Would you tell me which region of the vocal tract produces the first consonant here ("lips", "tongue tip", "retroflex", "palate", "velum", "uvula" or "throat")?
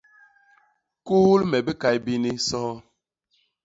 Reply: velum